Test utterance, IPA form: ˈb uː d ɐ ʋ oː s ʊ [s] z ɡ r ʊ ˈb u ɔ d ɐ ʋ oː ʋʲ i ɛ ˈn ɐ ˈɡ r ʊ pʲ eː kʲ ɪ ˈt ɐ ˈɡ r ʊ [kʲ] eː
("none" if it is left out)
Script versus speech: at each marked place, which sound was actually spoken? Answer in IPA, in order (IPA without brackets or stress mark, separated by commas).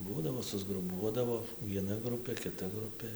none, pʲ